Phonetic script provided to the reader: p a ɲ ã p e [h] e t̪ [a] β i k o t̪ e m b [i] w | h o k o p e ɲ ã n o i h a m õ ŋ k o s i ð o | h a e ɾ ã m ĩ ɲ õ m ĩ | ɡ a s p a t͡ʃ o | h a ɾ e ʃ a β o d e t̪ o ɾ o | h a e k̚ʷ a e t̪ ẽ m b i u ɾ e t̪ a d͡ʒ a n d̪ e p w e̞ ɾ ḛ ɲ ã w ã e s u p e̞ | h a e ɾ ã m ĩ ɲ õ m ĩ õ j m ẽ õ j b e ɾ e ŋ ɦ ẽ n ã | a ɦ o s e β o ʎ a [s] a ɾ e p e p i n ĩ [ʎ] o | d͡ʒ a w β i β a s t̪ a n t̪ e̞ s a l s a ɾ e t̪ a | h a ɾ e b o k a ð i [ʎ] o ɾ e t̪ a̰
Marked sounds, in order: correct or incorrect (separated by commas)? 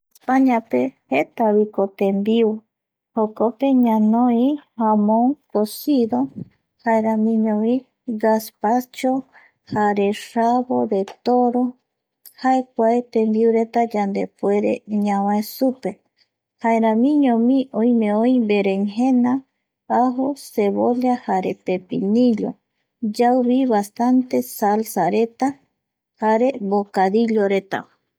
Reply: correct, correct, correct, incorrect, correct, correct